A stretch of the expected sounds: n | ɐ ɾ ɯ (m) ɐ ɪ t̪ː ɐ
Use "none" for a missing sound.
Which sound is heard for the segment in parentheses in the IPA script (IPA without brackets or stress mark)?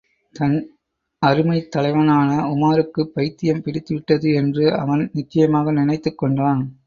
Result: m